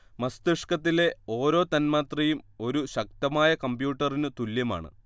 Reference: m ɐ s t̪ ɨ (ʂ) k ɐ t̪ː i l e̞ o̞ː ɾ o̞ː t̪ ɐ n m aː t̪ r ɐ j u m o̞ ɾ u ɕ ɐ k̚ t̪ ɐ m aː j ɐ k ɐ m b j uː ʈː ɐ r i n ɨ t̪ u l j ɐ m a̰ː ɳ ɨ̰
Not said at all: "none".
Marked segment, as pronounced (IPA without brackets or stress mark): ʂ